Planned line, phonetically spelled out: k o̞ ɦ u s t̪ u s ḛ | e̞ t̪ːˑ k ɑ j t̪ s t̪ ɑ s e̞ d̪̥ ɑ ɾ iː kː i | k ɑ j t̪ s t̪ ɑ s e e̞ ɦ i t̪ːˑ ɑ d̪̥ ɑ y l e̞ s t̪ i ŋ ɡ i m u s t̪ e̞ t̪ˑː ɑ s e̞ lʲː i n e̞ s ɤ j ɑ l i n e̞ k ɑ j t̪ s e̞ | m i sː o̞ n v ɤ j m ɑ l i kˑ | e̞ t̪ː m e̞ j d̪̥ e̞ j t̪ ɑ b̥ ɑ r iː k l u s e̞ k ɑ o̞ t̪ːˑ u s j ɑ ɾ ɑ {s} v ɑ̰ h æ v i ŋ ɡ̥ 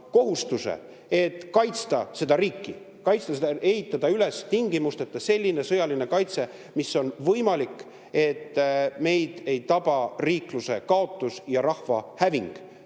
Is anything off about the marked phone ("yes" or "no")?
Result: yes